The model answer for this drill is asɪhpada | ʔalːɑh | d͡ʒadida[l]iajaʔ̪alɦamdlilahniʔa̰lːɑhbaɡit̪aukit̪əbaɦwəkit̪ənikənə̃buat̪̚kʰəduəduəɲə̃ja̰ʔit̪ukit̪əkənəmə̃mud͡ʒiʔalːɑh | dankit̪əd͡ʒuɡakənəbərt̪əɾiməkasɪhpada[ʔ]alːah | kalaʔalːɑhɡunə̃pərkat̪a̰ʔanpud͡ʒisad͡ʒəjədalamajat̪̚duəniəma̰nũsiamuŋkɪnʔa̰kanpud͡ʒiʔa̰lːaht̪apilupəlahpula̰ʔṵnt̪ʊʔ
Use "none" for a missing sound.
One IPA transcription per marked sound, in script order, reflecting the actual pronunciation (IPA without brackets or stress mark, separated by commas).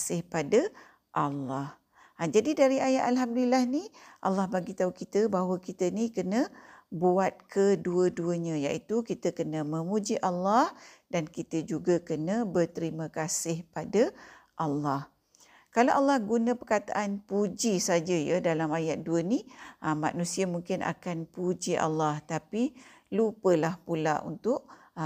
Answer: ɾ, ʔ